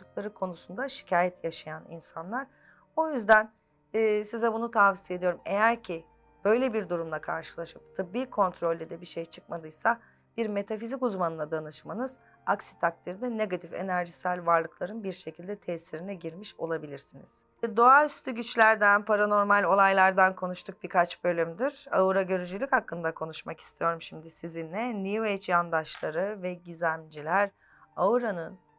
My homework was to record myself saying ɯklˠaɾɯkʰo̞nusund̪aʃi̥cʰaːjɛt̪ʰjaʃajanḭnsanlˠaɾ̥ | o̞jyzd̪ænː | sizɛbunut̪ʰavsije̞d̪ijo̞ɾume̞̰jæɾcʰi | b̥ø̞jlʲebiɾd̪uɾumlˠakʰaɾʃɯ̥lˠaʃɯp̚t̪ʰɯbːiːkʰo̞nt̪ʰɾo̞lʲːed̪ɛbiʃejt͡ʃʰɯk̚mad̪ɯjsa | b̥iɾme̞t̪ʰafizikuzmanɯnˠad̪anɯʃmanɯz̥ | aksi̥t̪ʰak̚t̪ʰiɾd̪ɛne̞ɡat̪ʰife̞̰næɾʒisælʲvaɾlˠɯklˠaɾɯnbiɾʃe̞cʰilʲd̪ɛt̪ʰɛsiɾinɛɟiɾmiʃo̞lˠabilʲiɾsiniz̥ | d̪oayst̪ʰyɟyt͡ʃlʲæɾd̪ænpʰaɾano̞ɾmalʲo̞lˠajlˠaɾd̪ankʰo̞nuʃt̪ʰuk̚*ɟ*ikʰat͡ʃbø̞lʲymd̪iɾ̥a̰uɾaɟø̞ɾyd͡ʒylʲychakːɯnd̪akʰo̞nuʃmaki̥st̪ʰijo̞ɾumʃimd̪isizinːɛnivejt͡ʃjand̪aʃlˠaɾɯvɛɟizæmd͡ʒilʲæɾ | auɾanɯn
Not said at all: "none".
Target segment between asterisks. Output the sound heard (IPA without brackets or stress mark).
b